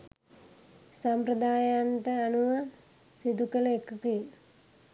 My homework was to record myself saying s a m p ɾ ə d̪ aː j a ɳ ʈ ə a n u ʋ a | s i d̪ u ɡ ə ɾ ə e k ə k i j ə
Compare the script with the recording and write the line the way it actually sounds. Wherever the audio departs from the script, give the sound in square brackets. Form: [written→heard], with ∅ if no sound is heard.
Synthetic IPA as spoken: s a m p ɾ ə d̪ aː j a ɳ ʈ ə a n u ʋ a | s i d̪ u [ɡ→k] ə [ɾ→l] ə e k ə k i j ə